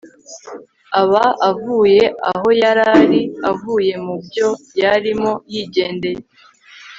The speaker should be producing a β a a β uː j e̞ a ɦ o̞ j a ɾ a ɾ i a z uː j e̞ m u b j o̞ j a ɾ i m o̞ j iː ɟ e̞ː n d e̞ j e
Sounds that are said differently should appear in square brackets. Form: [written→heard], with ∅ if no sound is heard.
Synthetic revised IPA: a β a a [β→v] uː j e̞ a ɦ o̞ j a ɾ a ɾ i a [z→v] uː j e̞ m u b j o̞ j a ɾ i m o̞ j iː ɟ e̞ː n d e̞ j e